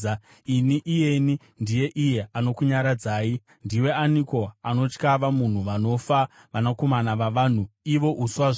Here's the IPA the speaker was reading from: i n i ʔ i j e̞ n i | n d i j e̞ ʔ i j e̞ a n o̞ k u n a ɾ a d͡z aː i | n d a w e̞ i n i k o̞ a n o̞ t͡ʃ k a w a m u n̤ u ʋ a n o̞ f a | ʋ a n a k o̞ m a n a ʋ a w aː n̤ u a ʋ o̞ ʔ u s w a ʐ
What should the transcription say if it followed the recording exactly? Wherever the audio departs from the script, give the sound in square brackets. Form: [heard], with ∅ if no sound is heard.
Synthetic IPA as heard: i n i ʔ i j e̞ n i | n d i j e̞ ʔ i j e̞ a n o̞ k u [ɲ] a ɾ a d͡z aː i | n d [i] w e̞ [a] n i k o̞ a n o̞ t͡ʃ k a [ʋ] a m u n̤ u ʋ a n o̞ f a | ʋ a n a k o̞ m a n a ʋ a [ʋ] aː n̤ u [i] ʋ o̞ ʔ u s w a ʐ